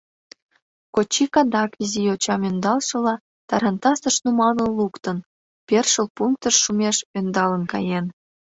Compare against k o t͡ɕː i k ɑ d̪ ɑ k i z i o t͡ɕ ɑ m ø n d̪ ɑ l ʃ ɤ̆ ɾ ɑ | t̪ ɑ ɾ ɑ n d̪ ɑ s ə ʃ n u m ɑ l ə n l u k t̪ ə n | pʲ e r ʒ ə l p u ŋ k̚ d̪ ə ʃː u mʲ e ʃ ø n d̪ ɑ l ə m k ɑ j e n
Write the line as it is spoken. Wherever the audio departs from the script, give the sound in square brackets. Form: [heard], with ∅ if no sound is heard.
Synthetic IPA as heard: k o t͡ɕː i k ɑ d̪ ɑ k i z i o t͡ɕ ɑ m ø n d̪ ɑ l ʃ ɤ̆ [l] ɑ | t̪ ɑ ɾ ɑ n [t̪] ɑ s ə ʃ n u m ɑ l ə n l u k t̪ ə n | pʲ e r [ʃ] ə l p u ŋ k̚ [t̪] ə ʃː u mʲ e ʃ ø n d̪ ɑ l ə [n] k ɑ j e n